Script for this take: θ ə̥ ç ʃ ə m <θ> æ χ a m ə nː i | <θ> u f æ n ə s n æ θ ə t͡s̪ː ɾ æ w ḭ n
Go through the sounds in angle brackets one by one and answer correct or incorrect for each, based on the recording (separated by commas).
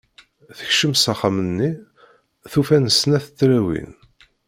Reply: incorrect, correct